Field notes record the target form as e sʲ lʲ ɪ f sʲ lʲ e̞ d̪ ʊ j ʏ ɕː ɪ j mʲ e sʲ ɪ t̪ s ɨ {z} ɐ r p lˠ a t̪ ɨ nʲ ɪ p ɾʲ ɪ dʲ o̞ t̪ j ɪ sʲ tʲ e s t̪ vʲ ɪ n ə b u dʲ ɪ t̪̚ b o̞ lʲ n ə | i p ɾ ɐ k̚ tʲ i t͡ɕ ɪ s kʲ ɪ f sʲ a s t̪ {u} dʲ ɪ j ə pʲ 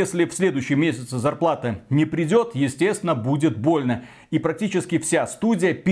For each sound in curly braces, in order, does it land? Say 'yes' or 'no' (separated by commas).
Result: yes, yes